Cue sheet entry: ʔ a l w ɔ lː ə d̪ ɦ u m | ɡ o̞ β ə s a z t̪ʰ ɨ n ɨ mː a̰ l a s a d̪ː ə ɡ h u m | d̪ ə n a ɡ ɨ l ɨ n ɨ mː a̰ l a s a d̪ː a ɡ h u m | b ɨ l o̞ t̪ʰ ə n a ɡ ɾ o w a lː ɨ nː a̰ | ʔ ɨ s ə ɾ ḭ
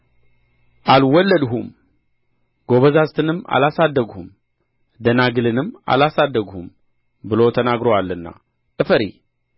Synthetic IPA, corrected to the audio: ʔ a l w ɔ lː ə d̪ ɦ u m | ɡ o̞ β ə z a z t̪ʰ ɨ n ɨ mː a̰ l a s a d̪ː ə ɡ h u m | d̪ ə n a ɡ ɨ l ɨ n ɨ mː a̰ l a s a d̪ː ə ɡ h u m | b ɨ l o̞ t̪ʰ ə n a ɡ ɾ o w a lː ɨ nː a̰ | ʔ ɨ f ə ɾ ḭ